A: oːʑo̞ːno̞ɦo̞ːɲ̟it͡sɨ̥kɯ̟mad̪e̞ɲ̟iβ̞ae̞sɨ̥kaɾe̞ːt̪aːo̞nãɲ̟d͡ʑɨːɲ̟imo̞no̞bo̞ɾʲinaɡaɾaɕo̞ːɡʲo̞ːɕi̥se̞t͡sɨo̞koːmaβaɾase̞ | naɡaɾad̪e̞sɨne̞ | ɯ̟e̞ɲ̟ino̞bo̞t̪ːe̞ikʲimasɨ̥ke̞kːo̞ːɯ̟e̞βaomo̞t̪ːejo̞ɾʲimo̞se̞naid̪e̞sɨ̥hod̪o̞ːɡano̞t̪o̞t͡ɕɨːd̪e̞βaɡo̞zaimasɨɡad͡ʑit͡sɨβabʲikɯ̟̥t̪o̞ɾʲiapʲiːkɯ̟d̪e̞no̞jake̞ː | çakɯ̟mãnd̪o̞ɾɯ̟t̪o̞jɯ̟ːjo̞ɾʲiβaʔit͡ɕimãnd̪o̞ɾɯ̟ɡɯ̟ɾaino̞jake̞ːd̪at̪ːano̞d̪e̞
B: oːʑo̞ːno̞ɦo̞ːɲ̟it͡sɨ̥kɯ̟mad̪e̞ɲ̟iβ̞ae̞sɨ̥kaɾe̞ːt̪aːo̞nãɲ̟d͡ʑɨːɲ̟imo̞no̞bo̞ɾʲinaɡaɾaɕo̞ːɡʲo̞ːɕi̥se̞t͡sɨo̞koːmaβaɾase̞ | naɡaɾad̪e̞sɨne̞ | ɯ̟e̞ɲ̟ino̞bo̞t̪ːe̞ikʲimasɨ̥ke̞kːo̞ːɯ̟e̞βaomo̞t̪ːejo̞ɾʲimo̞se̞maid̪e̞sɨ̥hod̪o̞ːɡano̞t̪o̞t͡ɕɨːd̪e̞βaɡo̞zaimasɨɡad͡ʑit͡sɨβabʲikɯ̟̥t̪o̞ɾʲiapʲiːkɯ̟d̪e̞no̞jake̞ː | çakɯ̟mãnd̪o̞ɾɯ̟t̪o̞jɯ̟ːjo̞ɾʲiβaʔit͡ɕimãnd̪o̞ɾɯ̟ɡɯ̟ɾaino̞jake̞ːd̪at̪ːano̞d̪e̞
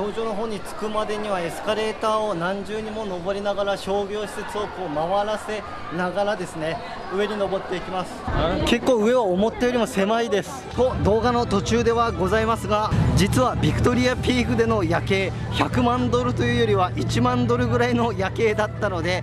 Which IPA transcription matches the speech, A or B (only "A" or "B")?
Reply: B